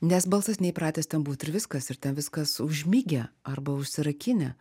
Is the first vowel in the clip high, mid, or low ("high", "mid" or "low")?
mid